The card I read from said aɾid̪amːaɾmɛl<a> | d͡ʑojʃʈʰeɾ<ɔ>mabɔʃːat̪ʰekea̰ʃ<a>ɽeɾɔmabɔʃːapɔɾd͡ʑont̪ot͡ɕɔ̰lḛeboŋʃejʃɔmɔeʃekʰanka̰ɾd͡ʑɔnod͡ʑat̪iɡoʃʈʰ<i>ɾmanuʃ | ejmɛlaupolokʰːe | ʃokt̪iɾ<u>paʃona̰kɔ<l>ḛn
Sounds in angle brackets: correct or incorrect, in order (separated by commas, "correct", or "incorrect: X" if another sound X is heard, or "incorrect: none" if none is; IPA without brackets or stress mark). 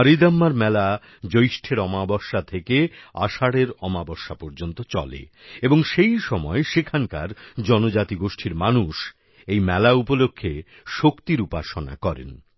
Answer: correct, correct, correct, correct, correct, incorrect: ɾ